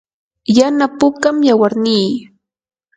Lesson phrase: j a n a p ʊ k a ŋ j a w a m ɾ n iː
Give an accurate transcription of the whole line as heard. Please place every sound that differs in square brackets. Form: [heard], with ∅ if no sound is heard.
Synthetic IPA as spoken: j a n a p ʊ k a [m] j a w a [∅] ɾ n iː